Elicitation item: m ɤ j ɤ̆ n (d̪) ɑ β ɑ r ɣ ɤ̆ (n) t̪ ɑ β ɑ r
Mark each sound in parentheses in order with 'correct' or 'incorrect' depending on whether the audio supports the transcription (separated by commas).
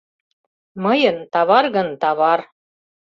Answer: incorrect, correct